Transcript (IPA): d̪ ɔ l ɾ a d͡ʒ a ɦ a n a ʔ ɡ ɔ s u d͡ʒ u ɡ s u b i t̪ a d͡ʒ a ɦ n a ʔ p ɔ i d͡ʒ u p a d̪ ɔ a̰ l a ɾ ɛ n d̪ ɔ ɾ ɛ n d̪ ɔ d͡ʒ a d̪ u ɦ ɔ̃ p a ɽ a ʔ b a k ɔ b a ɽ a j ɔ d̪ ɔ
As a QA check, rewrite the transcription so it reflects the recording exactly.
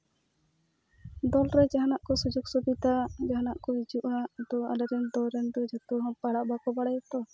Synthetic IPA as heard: d̪ ɔ l ɾ ɛ d͡ʒ a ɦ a n a ʔ k ɔ s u d͡ʒ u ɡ s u b i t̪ a d͡ʒ a ɦ n a ʔ k ɔ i d͡ʒ u ʔ a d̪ ɔ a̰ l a ɾ ɛ n d̪ ɔ ɾ ɛ n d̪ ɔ d͡ʒ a t̪ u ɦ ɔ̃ p a ɽ a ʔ b a k ɔ b a ɽ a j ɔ t̪ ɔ